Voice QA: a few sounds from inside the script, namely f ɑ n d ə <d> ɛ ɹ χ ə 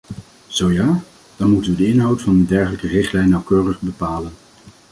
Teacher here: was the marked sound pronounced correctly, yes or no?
yes